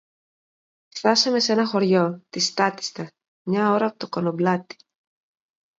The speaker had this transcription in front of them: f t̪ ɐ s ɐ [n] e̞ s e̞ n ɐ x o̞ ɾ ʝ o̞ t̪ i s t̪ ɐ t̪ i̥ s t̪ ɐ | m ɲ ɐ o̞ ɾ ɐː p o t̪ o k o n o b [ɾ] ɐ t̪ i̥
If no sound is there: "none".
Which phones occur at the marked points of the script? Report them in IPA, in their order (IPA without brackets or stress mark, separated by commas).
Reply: m, l